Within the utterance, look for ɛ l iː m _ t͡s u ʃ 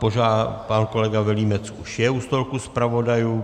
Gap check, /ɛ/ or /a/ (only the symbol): ɛ